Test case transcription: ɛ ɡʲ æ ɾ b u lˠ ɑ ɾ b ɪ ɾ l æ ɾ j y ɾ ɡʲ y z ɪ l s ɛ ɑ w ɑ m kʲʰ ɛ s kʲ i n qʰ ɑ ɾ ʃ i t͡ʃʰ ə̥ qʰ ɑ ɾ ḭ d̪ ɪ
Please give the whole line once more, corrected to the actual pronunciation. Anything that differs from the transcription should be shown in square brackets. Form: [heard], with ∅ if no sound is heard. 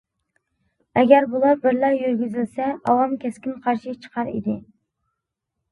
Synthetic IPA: ɛ ɡʲ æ ɾ b u lˠ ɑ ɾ b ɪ ɾ l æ ɾ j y ɾ ɡʲ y z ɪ l s ɛ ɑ w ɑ m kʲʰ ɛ s kʲ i n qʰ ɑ ɾ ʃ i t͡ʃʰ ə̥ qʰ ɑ ɾ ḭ d̪ ɪ